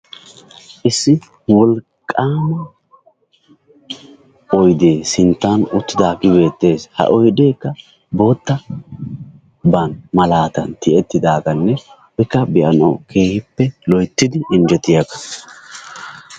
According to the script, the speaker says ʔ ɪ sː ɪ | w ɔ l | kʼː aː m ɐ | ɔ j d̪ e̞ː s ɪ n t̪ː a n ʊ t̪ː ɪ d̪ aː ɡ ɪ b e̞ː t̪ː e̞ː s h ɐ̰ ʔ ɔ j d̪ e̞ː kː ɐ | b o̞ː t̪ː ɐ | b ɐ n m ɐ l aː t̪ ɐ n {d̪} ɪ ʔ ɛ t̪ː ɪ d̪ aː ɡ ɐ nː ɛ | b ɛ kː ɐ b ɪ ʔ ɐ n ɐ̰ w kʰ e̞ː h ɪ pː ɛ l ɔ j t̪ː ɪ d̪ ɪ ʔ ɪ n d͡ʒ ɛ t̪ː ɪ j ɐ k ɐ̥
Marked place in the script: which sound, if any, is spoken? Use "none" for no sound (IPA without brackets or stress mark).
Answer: t̪